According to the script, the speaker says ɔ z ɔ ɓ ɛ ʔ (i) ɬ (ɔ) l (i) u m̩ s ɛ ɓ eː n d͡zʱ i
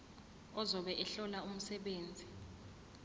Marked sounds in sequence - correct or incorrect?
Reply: incorrect: ɛ, correct, incorrect: a

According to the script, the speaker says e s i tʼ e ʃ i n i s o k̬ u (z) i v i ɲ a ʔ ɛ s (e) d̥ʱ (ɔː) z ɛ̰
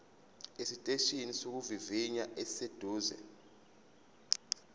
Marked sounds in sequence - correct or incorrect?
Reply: incorrect: v, correct, incorrect: uː

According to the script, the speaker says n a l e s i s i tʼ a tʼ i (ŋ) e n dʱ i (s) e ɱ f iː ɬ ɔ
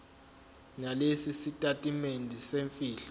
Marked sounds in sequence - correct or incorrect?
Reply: incorrect: m, correct

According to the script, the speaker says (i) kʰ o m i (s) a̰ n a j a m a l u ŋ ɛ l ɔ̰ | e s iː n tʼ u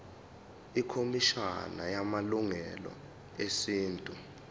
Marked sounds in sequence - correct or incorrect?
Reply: correct, incorrect: ʃ

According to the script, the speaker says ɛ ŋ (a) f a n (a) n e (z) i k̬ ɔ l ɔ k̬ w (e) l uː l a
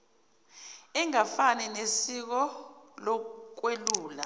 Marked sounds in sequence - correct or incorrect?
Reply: correct, incorrect: ɛ, incorrect: s, correct

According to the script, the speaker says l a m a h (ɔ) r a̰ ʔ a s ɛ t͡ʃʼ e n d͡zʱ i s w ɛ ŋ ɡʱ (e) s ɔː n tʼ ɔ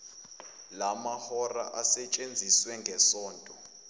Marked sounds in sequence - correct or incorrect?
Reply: correct, incorrect: ɛ

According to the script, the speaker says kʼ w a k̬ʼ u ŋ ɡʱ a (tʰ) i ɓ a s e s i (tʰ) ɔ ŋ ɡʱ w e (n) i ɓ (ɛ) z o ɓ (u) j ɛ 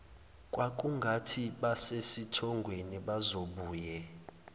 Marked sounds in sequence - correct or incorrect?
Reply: correct, correct, correct, incorrect: a, incorrect: uː

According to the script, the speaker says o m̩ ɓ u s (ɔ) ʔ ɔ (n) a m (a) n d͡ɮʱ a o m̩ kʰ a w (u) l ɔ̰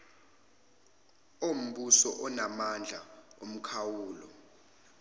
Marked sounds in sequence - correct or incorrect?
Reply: correct, correct, correct, incorrect: uː

